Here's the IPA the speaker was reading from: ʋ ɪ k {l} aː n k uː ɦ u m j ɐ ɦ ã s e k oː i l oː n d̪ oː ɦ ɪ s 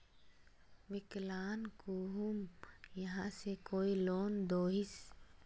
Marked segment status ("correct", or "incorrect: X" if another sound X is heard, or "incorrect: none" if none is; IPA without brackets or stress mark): correct